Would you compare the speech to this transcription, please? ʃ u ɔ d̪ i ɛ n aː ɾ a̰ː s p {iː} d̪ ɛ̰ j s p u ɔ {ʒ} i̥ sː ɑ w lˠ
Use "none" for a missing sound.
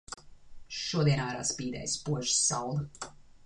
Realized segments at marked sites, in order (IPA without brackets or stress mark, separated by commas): iː, ʒ